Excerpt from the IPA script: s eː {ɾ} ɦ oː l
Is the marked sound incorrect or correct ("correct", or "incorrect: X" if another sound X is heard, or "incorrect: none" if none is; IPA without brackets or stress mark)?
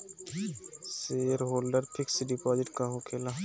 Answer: correct